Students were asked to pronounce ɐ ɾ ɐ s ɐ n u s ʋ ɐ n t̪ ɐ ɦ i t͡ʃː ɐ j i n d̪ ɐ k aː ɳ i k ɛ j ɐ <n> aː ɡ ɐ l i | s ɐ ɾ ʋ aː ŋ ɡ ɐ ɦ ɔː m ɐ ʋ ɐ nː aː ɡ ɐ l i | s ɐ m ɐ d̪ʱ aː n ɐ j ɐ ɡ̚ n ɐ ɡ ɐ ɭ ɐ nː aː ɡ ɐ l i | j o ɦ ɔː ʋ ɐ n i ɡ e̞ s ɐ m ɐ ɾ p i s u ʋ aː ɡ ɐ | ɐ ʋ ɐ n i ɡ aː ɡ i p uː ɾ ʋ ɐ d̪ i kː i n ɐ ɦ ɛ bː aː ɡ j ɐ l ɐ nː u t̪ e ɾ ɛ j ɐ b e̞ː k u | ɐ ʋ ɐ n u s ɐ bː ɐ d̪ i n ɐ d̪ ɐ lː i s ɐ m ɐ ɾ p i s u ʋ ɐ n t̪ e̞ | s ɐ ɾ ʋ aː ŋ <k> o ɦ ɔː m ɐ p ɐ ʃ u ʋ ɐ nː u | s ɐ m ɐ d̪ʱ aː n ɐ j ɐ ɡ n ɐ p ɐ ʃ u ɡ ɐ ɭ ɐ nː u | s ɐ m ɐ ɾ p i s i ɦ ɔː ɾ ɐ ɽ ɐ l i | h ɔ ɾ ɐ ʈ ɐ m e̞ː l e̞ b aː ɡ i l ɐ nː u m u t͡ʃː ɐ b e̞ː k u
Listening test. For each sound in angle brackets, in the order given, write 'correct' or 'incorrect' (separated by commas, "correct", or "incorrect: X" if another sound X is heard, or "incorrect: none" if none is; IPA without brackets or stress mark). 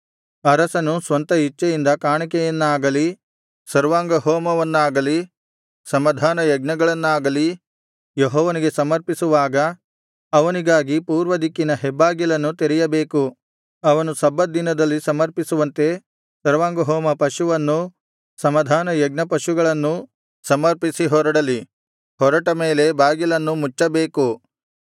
incorrect: nː, incorrect: ɡ